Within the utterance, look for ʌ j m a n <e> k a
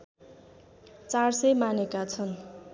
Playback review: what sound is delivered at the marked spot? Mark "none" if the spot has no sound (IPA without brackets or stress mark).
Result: e